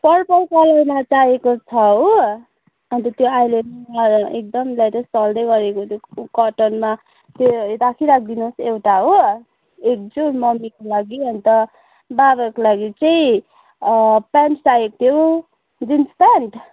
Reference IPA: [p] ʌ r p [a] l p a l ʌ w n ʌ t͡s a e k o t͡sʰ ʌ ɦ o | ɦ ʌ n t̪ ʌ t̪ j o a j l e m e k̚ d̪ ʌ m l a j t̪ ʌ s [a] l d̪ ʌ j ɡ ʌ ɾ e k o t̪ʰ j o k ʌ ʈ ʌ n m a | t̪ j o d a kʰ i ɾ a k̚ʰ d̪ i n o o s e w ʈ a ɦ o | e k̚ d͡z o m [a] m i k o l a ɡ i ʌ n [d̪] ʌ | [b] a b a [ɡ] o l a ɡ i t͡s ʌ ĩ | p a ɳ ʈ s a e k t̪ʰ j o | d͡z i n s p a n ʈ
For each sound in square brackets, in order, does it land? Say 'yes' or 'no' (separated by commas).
yes, no, no, no, no, yes, no